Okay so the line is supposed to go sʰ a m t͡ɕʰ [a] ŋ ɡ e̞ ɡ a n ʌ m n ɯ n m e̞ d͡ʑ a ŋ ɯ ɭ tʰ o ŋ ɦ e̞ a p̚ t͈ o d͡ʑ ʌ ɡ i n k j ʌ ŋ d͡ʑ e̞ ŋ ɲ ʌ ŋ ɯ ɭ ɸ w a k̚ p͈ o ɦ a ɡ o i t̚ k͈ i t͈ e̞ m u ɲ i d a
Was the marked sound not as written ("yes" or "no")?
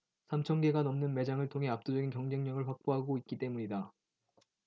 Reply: yes